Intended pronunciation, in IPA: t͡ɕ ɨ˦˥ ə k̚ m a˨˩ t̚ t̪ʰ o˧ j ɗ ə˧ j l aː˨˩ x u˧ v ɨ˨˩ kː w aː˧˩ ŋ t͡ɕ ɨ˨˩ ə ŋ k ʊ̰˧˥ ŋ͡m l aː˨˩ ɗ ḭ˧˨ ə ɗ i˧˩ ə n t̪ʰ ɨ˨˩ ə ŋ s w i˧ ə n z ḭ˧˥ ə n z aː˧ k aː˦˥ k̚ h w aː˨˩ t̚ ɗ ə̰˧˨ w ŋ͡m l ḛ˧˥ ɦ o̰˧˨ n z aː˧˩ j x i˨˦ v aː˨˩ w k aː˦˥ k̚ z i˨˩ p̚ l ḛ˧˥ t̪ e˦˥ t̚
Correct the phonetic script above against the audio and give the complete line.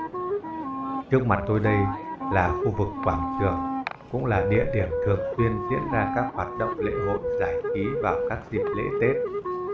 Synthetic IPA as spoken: t͡ɕ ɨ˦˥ ə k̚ m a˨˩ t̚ t̪ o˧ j ɗ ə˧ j l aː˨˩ x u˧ v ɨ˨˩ kː w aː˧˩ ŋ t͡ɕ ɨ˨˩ ə ŋ k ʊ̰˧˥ ŋ͡m l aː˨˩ ɗ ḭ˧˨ ə ɗ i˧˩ ə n t̪ʰ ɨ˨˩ ə ŋ s w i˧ ə n z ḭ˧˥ ə n z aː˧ k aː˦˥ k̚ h w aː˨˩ t̚ ɗ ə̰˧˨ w ŋ͡m l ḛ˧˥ ɦ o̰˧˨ n z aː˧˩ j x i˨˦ v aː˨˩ w k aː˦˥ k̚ z i˨˩ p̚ l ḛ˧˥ t̪ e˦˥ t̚

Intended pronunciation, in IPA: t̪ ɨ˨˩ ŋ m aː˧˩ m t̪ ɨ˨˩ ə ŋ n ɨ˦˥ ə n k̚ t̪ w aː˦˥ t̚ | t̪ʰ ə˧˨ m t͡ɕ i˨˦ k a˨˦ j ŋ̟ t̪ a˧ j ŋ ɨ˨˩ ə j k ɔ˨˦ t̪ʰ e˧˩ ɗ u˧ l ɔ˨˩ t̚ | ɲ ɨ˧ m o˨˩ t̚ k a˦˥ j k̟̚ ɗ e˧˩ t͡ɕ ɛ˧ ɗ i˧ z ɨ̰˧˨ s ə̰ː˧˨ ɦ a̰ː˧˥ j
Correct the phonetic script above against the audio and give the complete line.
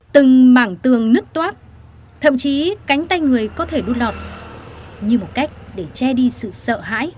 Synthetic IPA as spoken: t̪ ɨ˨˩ ŋ m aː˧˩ ŋ t̪ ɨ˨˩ ə ŋ n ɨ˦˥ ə k̚ t̪ w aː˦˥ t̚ | t̪ʰ ə˧˨ m t͡ɕ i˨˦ k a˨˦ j ŋ̟ t̪ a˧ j ŋ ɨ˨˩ ə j k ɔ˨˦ t̪ʰ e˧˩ ɗ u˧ l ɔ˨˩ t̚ | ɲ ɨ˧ m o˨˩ t̚ k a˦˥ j k̟̚ ɗ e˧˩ t͡ɕ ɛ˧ ɗ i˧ s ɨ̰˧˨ s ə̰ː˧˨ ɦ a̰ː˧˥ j

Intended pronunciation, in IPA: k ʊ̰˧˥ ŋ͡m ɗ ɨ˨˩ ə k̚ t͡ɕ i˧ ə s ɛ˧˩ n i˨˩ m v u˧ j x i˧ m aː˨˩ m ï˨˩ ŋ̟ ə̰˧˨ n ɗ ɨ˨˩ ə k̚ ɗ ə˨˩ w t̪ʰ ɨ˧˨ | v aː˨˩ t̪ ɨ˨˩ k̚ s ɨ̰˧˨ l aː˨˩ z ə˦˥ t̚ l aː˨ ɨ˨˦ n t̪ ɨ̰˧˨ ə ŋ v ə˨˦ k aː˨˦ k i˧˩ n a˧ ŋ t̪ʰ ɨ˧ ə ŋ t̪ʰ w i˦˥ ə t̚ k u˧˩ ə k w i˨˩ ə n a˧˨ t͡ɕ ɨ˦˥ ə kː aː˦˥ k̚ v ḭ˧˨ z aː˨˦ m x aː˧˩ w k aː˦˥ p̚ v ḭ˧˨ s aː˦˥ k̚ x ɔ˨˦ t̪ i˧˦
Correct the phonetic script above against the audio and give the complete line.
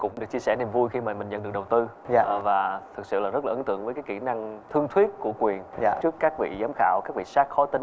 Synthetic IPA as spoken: k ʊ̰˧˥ ŋ͡m ɗ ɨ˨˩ ə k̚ t͡ɕ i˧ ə s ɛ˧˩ n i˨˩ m v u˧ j x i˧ m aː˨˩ m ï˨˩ ŋ̟ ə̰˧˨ n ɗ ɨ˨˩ ə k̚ ɗ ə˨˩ w t̪ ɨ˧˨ | v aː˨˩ t̪ʰ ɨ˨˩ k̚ s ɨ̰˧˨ l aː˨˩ z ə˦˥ t̚ l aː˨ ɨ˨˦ n t̪ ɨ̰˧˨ ə ŋ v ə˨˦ k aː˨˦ k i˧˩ n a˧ ŋ t̪ʰ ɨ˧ ə ŋ t̪ʰ w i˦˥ ə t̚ k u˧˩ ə k w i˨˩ ə n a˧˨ t͡ɕ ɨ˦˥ ə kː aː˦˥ k̚ v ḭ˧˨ z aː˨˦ m x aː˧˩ w k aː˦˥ k̚ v ḭ˧˨ s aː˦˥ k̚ x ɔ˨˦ t̪ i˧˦

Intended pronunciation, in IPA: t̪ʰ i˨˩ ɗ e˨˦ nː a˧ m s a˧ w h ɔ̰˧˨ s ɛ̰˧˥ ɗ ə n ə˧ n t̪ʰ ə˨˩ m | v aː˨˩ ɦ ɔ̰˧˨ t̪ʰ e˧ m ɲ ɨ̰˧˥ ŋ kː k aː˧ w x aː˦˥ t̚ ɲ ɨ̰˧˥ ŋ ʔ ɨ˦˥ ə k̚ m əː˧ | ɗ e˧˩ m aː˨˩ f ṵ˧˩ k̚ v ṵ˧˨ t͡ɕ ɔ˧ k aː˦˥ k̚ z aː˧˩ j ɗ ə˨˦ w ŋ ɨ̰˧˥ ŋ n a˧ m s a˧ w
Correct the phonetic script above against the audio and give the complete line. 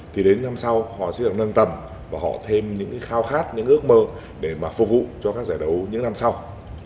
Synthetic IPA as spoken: t̪ʰ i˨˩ ɗ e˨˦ nː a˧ m s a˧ w h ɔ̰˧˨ s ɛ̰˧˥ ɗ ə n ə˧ n t̪ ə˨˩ m | v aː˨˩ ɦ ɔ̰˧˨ t̪ʰ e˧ m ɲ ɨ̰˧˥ ŋ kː x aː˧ w x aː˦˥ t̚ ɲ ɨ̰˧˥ ŋ ʔ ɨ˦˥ ə k̚ m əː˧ | ɗ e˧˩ m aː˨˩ f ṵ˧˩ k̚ v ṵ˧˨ t͡ɕ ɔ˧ k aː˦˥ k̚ z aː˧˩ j ɗ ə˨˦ w ɲ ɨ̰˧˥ ŋ n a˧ m s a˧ w

